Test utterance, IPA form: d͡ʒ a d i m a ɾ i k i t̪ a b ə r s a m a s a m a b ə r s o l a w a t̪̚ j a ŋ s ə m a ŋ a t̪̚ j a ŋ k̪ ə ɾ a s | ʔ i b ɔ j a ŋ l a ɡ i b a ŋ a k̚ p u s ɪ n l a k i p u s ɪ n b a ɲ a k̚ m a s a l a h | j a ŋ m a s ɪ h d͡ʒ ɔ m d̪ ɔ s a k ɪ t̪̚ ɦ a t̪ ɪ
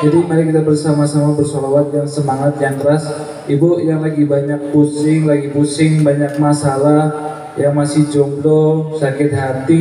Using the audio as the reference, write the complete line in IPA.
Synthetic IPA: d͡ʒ a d i m a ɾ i k i t̪ a b ə r s a m a s a m a b ə r s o l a w a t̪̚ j a ŋ s ə m a ŋ a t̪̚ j a ŋ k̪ ə ɾ a s | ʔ i b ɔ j a ŋ l a ɡ i b a ɲ a k̚ p u s ɪ ŋ l a ɡ i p u s ɪ ŋ b a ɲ a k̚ m a s a l a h | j a ŋ m a s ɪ h d͡ʒ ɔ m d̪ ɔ s a k ɪ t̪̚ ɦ a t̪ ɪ